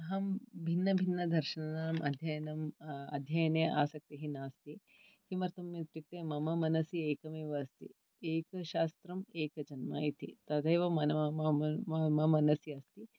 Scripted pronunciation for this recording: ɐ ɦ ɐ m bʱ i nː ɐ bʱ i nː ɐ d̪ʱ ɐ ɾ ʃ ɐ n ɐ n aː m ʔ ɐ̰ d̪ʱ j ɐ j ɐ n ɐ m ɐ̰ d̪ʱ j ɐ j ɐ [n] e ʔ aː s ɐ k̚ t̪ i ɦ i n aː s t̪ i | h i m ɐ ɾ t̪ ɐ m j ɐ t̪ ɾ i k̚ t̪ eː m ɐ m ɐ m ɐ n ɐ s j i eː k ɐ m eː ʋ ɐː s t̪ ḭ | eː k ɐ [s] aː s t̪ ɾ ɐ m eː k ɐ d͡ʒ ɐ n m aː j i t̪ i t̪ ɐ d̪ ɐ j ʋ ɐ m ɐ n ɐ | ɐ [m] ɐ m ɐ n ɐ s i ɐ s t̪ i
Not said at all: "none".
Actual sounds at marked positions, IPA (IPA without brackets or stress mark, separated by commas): n, ʃ, m